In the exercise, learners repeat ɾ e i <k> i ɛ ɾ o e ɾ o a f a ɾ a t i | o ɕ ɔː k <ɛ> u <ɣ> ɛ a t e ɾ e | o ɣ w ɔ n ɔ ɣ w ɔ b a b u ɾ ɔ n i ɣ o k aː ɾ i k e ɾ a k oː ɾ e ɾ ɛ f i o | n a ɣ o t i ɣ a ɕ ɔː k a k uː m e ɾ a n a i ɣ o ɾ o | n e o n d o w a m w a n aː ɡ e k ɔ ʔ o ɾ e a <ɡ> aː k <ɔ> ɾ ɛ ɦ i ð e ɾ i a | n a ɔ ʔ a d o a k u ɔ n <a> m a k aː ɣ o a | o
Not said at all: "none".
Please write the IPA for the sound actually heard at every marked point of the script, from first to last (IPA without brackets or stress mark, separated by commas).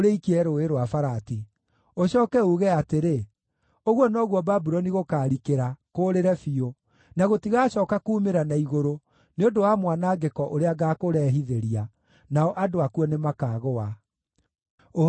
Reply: k, ɛ, ɣ, ɡ, o, e